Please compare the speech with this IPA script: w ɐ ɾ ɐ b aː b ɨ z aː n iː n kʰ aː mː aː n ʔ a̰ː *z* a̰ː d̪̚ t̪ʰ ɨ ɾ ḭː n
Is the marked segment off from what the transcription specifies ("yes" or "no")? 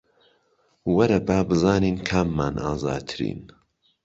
no